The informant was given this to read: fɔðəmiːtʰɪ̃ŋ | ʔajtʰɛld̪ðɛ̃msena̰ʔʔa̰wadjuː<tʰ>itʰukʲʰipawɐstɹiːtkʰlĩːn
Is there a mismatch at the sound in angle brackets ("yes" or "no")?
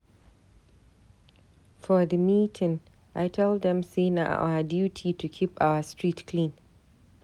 no